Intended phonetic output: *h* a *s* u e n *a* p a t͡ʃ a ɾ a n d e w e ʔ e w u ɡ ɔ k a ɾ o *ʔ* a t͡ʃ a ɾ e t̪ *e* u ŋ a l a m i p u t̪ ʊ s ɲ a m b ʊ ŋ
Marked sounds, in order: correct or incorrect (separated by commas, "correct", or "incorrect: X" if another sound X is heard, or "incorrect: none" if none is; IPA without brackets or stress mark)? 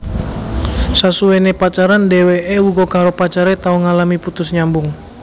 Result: incorrect: s, correct, incorrect: e, incorrect: p, incorrect: a